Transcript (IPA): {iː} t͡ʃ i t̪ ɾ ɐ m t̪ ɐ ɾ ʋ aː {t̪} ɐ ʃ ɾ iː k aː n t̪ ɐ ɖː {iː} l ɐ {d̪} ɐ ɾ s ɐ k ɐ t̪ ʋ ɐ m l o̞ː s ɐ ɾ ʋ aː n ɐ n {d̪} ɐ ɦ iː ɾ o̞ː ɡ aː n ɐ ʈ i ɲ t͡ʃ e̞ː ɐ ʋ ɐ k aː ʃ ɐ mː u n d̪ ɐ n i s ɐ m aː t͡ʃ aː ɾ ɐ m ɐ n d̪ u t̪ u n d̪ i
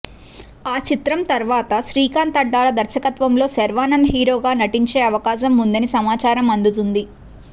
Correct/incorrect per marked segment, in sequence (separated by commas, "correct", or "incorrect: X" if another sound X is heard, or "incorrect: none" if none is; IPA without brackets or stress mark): incorrect: aː, correct, incorrect: aː, correct, correct